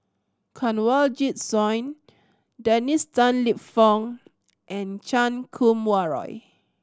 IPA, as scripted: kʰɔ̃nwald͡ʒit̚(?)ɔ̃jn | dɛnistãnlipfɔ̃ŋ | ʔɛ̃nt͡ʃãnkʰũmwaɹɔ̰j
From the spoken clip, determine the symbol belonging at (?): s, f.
s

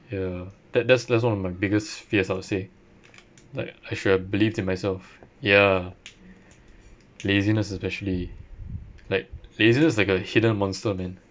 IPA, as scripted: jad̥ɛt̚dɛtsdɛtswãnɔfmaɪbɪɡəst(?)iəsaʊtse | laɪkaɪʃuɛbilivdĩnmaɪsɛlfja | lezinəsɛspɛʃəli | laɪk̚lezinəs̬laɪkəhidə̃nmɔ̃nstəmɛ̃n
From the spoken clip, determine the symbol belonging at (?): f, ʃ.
f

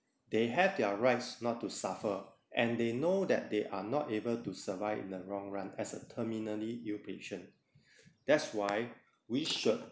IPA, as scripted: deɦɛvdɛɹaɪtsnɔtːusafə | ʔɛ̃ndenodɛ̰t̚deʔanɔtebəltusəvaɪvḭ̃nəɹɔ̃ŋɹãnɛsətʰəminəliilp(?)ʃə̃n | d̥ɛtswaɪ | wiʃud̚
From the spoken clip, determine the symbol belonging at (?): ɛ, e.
e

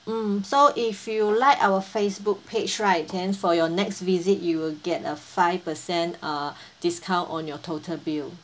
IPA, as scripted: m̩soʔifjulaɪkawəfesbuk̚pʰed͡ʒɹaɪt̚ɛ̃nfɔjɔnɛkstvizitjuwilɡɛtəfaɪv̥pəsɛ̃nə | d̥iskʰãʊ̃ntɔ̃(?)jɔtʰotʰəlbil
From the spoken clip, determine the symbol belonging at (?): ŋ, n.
n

